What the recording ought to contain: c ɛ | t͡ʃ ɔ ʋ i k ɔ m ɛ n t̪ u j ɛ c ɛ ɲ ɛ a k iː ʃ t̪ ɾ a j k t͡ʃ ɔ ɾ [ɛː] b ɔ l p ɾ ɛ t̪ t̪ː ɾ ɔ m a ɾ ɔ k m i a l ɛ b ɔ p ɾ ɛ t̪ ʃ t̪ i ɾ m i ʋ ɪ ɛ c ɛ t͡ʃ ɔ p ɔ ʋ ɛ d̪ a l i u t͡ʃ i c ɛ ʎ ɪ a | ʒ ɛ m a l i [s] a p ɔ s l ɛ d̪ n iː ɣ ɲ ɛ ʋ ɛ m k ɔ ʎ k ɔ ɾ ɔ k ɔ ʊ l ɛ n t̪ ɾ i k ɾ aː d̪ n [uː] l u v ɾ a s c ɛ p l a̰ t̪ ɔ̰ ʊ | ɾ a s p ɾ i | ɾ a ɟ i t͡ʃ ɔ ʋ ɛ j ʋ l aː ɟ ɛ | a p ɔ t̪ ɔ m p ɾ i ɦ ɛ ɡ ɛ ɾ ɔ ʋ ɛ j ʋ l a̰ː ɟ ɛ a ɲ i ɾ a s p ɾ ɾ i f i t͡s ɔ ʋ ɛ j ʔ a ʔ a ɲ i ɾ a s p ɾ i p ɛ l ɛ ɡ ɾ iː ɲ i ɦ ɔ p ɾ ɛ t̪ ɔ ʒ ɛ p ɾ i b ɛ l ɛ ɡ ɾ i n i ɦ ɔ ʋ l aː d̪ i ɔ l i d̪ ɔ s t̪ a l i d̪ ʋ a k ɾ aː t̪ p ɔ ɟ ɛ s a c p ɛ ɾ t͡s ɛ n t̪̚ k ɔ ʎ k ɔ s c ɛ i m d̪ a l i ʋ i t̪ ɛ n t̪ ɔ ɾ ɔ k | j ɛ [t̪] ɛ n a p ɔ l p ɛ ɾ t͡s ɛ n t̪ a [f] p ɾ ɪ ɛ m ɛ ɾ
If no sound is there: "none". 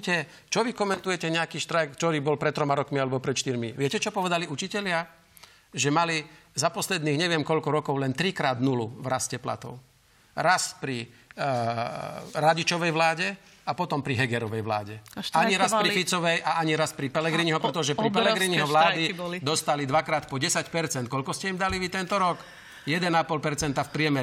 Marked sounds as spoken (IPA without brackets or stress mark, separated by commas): iː, z, u, d̪, f